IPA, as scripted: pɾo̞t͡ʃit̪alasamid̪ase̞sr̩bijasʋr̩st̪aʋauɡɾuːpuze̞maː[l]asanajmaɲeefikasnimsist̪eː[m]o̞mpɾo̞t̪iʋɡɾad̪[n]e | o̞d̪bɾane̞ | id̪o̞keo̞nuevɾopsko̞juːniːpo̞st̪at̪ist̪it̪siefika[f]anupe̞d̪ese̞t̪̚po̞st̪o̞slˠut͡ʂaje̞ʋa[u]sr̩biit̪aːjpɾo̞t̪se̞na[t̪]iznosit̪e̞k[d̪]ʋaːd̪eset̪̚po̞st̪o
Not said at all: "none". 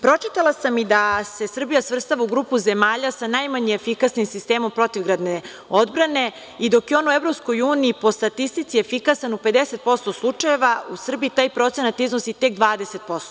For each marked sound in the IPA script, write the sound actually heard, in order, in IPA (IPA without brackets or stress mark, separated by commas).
ʎ, m, n, s, u, t̪, d̪